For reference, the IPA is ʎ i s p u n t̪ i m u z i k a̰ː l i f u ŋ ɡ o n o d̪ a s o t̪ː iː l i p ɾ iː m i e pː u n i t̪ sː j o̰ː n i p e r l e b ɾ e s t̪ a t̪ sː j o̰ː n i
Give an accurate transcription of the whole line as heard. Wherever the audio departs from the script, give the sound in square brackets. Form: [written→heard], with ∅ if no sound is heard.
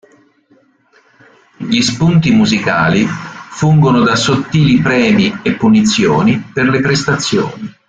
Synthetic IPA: ʎ i s p u n t̪ i m u z i k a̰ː l i f u ŋ ɡ o n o d̪ a s o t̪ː iː l i p ɾ [iː→ɛː] m i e pː u n i t̪ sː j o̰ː n i p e r l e [b→p] ɾ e s t̪ a t̪ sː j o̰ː n i